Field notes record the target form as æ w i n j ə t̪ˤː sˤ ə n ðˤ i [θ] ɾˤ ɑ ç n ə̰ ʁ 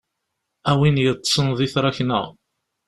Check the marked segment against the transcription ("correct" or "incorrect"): correct